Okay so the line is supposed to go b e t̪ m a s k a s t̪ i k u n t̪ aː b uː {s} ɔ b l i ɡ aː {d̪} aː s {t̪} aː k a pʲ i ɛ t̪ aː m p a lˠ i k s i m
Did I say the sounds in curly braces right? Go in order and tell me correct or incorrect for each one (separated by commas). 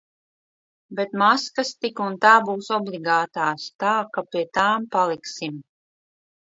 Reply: correct, incorrect, correct